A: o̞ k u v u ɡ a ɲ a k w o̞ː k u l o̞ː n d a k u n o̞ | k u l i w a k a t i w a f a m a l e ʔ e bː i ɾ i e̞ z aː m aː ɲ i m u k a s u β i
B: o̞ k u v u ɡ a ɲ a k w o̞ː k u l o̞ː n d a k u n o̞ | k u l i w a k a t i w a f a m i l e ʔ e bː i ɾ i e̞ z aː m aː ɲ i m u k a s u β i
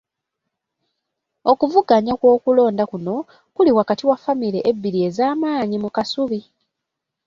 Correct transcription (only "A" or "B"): B